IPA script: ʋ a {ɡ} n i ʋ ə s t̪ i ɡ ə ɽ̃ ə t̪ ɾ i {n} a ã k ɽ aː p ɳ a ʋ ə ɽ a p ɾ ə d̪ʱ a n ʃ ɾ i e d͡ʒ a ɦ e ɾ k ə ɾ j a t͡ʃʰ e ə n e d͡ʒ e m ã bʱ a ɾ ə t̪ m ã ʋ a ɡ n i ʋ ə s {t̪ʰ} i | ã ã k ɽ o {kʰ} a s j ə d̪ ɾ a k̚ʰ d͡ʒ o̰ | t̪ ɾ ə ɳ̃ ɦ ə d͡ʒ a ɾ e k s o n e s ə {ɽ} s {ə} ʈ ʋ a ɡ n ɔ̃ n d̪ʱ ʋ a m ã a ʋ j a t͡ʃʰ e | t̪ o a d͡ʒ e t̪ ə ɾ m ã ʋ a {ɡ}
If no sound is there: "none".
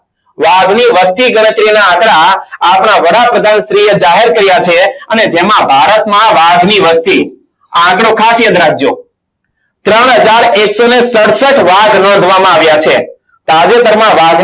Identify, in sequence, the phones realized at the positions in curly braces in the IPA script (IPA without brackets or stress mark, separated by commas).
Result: ɡ, n, t̪, kʰ, ɽ, ə, ɡ